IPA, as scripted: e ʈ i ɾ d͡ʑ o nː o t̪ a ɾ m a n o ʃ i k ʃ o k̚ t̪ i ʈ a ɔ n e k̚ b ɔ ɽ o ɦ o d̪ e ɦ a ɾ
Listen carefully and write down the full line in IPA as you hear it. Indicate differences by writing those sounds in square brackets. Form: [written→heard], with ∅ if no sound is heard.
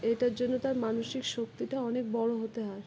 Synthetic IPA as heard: e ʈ [i→a] ɾ d͡ʑ o nː o t̪ a ɾ m a n o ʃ i k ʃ o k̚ t̪ i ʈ a ɔ n e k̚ b ɔ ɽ o ɦ o [d̪→t̪] e ɦ a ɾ